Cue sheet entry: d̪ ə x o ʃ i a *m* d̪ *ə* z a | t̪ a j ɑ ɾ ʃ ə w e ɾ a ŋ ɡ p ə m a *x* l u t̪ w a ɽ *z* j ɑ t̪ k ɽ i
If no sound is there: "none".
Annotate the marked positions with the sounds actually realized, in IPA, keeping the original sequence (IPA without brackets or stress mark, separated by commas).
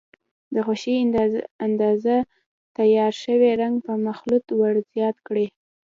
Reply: n, ɑ, x, z